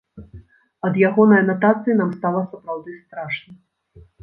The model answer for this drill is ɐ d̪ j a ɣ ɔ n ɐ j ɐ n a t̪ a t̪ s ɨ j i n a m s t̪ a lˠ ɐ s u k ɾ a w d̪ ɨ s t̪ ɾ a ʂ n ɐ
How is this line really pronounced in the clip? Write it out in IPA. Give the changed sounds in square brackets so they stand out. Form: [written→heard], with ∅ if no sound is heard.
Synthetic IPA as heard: ɐ d̪ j a ɣ ɔ n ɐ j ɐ n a t̪ a t̪ s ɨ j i n a m s t̪ a lˠ ɐ s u [k→p] ɾ a w d̪ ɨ s t̪ ɾ a ʂ n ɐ